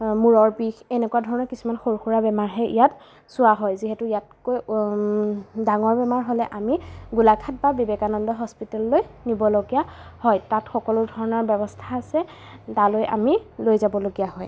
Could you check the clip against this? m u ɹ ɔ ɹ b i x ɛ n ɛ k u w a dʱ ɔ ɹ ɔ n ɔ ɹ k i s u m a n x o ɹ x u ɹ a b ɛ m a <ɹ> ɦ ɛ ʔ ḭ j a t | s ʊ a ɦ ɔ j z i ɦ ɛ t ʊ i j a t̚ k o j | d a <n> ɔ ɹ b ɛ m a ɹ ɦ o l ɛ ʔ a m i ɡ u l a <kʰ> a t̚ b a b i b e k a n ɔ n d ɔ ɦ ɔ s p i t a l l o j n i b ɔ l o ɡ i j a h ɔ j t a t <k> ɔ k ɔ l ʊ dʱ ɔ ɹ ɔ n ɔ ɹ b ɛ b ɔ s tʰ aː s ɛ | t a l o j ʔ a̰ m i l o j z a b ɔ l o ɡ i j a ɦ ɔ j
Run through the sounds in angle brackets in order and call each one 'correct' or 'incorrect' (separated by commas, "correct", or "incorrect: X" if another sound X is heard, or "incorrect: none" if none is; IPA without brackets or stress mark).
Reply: correct, incorrect: ŋ, correct, incorrect: x